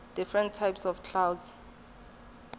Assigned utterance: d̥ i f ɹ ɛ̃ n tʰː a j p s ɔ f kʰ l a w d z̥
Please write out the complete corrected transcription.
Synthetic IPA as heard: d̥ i f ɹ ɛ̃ n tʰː a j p s ɔ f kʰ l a w d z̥